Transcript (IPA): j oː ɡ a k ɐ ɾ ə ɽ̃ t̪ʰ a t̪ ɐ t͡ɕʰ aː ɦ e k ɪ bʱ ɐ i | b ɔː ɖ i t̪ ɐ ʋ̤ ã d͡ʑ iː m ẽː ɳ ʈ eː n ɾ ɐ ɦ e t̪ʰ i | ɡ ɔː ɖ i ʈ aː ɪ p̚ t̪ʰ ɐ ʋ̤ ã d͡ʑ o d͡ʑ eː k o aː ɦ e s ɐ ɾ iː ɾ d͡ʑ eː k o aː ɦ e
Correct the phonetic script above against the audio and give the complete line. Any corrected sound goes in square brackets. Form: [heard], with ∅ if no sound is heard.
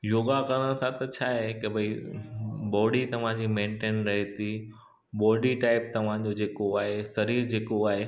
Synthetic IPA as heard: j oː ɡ a k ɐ ɾ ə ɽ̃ t̪ʰ a t̪ ɐ t͡ɕʰ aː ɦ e k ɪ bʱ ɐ i | b ɔː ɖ i t̪ ɐ ʋ̤ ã d͡ʑ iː m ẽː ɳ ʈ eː n ɾ ɐ ɦ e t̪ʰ i | [b] ɔː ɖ i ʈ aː ɪ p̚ [t̪] ɐ ʋ̤ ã d͡ʑ o d͡ʑ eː k o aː ɦ e s ɐ ɾ iː ɾ d͡ʑ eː k o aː ɦ e